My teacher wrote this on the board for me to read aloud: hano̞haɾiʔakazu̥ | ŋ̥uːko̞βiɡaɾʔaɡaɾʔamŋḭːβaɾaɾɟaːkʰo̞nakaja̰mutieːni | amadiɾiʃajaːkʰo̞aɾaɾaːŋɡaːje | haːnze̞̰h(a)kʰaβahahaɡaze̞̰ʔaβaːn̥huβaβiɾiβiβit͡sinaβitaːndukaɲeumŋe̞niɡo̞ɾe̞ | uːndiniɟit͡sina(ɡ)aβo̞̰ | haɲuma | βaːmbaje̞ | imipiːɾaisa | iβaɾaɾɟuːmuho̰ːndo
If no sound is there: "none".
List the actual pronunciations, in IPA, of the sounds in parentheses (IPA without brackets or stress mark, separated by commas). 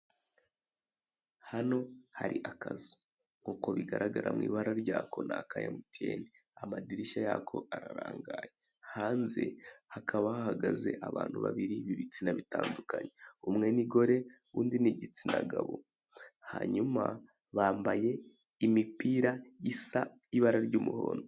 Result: a, ɡ